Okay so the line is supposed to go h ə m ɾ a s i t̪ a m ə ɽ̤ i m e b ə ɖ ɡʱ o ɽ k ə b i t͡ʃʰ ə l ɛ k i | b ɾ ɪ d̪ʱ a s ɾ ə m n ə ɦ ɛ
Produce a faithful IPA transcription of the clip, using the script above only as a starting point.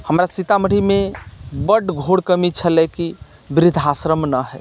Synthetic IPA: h ə m ɾ a s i t̪ a m ə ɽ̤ i m e b ə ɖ ɡʱ o ɽ k ə m i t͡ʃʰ ə l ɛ k i | b ɾ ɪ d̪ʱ a s ɾ ə m n ə ɦ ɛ